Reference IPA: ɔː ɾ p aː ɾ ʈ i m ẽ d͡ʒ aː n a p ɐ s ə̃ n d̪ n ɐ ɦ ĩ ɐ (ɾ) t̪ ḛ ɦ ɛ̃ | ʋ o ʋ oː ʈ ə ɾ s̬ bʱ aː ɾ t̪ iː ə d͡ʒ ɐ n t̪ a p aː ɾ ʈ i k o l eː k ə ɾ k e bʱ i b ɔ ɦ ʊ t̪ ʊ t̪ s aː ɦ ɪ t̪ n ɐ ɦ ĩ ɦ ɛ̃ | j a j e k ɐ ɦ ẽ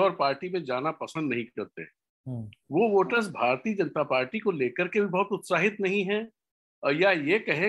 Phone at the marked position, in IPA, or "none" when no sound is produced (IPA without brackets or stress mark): ɾ